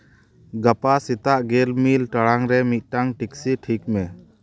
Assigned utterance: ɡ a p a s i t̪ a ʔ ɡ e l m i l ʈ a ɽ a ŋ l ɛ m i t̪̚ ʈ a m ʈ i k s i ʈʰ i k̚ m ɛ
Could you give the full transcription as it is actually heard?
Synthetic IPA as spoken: ɡ a p a s i t̪ a ʔ ɡ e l m i l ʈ a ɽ a ŋ ɾ ɛ m i t̪̚ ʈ a ŋ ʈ i k s i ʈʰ i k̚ m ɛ